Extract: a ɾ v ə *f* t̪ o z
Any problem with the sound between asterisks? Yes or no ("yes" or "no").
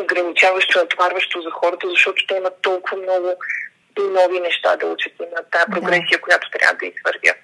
yes